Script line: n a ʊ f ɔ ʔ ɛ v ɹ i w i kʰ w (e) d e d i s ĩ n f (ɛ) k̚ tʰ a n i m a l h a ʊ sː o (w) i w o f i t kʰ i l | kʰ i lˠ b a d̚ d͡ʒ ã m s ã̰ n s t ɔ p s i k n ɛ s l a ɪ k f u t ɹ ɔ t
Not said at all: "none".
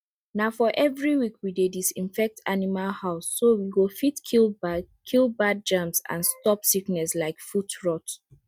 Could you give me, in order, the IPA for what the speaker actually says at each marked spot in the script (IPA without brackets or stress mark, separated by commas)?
i, ɛ, w